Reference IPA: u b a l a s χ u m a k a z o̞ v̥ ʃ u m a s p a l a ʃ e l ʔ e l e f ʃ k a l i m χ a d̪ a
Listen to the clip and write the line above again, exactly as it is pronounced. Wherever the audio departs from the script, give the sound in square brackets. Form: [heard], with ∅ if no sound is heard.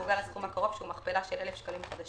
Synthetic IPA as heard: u [ɡ] a l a s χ u m a k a [ʁ] o̞ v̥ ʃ u m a [χ] p [e] l a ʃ e l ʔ e l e f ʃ k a l i m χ a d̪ a